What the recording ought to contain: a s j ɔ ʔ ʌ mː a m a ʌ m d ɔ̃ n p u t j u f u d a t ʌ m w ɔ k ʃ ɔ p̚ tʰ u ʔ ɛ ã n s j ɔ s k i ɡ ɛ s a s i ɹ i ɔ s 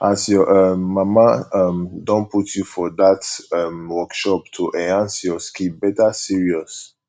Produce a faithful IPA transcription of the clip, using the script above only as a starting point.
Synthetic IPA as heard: a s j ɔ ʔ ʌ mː a m a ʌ m d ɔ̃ n p u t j u f ɔ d a t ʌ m w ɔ k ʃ ɔ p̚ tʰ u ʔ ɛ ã n s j ɔ s k i b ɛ t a s i ɹ i ɔ s